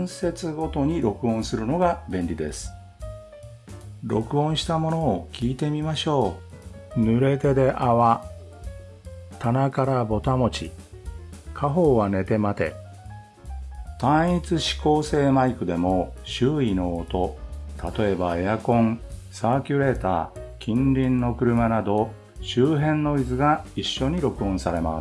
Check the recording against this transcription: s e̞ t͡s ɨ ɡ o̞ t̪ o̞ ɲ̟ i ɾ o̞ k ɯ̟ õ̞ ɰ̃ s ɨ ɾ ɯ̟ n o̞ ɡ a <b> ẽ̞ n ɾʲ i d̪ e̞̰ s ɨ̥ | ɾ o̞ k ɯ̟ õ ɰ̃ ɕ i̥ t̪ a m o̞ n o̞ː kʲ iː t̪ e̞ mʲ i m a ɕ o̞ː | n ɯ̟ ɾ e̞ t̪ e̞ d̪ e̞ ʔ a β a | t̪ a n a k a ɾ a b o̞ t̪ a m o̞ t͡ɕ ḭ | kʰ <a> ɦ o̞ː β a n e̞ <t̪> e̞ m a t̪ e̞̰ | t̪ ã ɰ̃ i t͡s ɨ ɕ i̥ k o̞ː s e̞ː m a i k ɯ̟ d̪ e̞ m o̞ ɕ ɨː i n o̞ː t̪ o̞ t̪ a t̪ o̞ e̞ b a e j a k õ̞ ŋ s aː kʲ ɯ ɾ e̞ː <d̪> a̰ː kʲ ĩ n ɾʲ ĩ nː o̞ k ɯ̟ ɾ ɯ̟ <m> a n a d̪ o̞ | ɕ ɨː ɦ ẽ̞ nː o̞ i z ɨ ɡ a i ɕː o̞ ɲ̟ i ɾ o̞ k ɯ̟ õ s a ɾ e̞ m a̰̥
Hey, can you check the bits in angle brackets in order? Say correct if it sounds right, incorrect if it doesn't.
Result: correct, correct, correct, incorrect, correct

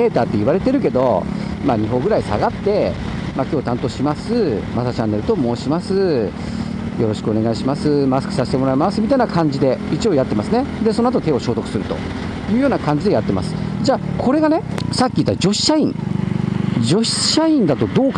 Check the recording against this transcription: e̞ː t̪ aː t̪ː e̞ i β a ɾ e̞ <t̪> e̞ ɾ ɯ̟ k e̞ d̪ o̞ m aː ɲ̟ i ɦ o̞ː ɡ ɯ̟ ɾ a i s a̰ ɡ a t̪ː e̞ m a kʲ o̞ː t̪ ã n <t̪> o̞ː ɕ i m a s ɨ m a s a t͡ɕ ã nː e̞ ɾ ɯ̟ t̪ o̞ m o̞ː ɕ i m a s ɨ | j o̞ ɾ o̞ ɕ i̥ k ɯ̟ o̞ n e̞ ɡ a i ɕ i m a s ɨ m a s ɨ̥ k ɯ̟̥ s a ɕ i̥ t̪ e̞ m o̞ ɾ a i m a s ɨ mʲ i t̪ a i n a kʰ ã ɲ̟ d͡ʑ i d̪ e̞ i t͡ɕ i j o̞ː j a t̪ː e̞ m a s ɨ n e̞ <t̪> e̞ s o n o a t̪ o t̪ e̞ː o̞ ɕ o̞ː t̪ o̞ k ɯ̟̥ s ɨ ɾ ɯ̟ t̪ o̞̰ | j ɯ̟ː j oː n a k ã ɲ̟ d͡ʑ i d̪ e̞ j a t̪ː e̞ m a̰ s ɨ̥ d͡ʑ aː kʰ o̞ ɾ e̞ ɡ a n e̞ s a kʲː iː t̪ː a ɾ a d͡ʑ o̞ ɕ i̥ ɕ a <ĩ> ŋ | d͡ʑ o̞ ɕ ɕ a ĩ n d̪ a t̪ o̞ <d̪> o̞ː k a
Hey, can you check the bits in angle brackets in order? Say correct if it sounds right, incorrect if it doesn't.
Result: correct, correct, incorrect, correct, correct

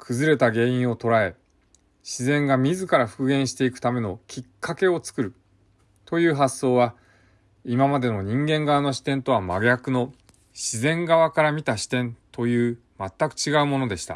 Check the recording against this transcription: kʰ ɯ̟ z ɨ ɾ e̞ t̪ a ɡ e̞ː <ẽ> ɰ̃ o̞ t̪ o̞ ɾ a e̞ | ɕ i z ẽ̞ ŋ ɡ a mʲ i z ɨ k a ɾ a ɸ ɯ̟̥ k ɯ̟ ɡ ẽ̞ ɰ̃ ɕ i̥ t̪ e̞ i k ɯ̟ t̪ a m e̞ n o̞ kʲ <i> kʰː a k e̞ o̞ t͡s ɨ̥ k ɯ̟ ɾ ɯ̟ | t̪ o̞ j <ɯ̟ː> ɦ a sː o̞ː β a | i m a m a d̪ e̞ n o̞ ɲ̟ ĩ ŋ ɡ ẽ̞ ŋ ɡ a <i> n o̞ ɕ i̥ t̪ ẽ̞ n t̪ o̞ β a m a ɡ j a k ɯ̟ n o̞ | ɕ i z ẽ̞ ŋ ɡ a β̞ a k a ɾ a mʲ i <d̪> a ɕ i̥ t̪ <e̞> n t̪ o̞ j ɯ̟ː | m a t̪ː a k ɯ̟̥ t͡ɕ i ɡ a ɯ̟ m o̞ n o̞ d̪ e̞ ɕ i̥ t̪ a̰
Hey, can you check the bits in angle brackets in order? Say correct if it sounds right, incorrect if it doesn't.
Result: incorrect, correct, correct, incorrect, incorrect, incorrect

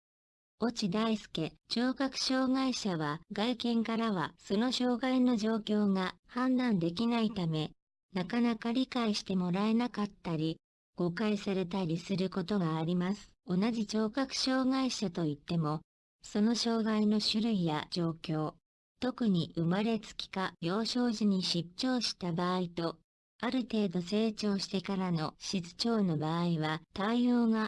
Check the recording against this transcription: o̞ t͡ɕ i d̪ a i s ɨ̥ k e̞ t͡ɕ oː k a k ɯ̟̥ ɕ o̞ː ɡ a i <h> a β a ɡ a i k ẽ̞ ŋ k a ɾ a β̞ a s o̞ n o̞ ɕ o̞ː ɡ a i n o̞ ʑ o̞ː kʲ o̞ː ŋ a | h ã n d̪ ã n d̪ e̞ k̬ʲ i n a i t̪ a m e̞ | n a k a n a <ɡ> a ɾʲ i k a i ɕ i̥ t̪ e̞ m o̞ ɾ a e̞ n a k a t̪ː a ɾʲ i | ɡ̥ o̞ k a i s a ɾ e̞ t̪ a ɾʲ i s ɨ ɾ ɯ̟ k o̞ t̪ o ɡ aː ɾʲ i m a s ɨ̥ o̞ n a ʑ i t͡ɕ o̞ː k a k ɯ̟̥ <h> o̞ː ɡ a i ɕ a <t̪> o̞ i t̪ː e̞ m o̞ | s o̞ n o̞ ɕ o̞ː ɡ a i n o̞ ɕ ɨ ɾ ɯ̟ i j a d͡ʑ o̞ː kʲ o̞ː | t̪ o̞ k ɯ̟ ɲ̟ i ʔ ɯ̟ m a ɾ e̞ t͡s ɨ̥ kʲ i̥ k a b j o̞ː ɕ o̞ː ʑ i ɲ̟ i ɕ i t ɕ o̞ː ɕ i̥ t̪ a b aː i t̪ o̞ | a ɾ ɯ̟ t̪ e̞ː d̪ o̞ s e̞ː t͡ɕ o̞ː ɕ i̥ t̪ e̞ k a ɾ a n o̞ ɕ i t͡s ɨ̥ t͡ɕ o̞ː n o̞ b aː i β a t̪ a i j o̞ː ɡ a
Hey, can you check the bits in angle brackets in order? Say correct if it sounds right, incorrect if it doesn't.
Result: incorrect, incorrect, incorrect, correct

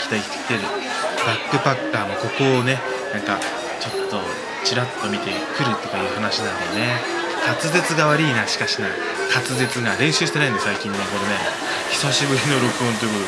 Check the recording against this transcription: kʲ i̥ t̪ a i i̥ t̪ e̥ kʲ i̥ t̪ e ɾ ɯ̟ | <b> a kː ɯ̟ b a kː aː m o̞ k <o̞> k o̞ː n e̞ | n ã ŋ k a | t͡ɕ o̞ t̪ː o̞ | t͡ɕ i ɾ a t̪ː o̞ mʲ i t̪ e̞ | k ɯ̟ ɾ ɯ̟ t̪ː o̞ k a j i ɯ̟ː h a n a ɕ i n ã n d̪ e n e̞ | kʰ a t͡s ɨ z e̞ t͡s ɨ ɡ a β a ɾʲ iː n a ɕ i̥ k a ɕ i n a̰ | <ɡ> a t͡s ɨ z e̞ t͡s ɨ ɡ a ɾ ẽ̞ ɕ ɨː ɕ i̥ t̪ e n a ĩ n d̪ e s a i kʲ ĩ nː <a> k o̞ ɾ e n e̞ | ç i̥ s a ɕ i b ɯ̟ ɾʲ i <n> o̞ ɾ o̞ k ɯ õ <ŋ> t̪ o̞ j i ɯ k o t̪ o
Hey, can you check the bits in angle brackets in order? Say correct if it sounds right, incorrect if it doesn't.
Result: correct, correct, incorrect, incorrect, correct, incorrect

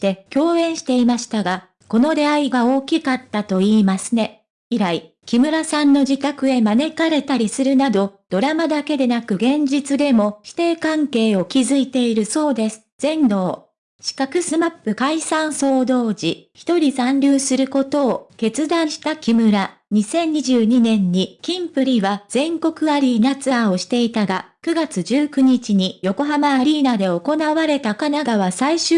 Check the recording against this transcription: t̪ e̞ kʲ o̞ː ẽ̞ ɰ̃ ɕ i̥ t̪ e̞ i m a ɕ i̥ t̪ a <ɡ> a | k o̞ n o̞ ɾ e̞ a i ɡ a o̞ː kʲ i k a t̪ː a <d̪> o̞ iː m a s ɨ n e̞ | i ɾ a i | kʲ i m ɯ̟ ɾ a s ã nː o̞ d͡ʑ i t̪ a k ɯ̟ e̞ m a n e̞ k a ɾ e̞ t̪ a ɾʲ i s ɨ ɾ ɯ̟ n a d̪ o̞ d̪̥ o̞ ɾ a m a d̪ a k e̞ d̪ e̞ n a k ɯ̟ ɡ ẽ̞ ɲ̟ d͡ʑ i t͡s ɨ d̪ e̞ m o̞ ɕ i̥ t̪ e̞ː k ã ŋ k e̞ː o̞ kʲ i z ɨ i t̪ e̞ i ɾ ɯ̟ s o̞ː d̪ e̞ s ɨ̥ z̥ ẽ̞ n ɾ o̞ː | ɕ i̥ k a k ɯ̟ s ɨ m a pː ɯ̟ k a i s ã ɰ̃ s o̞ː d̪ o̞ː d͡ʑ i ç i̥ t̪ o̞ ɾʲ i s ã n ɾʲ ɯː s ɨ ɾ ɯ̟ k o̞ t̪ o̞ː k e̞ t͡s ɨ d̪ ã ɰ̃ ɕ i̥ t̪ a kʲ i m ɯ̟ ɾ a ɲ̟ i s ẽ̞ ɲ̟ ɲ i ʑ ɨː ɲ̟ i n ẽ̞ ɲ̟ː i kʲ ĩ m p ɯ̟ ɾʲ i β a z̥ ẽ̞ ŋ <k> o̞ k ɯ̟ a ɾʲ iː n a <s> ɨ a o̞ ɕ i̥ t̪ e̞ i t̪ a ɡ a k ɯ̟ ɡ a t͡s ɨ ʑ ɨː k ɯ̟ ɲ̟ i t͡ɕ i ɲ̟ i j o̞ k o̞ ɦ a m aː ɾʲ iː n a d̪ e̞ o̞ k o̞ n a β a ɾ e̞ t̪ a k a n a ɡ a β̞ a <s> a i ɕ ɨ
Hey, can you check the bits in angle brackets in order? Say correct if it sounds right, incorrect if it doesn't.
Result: correct, incorrect, correct, incorrect, correct

